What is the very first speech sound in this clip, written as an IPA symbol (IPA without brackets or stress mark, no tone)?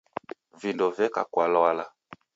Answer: v